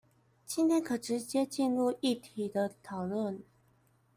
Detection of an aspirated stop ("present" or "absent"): present